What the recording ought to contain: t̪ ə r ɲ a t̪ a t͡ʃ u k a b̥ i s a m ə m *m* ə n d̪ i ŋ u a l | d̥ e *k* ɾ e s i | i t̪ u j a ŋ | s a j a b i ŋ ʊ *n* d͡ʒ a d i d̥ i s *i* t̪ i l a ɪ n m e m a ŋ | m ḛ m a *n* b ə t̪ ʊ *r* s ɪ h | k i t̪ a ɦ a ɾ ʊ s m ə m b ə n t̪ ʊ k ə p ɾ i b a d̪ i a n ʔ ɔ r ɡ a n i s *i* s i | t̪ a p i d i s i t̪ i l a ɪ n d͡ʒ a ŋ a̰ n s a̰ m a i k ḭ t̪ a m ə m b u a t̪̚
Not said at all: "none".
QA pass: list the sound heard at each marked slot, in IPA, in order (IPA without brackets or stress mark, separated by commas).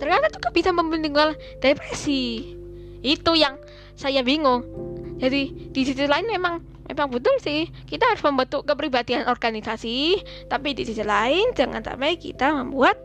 b, p, ŋ, i, ŋ, l, a